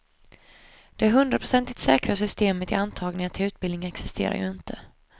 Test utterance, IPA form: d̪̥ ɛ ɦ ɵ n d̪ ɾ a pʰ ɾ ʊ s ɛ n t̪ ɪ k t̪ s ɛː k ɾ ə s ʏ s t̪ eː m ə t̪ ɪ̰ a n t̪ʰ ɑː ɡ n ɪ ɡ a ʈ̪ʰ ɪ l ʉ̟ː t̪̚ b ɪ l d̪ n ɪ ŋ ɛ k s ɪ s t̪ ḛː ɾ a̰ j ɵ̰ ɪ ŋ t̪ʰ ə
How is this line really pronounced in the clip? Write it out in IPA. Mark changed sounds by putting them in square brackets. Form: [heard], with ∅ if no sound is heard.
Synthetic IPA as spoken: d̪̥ ɛ ɦ ɵ n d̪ ɾ a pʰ ɾ ʊ s ɛ n t̪ ɪ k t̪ s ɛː k ɾ [a] s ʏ s t̪ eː m ə t̪ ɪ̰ a n t̪ʰ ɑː ɡ n ɪ [ŋ] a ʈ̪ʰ ɪ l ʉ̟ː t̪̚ b ɪ l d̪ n ɪ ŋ ɛ k s ɪ s t̪ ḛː ɾ a̰ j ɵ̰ ɪ [n] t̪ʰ ə